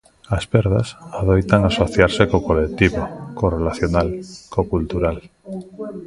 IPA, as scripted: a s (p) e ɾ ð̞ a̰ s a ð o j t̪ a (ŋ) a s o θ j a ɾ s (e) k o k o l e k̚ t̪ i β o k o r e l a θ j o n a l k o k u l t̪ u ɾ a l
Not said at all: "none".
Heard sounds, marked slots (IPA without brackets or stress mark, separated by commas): p, ŋ, e